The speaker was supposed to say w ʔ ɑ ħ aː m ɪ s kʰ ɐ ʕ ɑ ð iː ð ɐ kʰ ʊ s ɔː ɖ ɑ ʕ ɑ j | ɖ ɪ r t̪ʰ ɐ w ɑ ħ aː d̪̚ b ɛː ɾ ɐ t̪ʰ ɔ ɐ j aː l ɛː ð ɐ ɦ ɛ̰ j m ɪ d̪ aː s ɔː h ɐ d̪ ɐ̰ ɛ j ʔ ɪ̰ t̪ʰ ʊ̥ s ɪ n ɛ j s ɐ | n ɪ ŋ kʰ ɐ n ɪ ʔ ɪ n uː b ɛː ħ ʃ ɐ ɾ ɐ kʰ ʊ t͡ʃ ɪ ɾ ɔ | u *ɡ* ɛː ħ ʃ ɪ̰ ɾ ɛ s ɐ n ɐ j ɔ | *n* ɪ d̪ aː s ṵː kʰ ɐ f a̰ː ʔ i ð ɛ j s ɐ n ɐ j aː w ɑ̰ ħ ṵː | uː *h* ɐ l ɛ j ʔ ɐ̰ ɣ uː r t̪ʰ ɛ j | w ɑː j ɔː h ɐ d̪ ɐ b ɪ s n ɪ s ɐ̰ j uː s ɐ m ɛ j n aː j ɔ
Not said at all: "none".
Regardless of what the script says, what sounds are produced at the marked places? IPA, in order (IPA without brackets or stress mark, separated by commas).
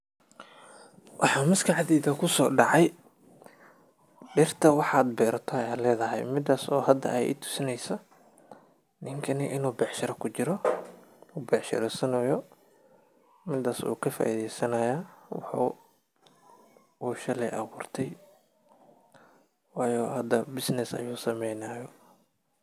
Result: b, m, ʃ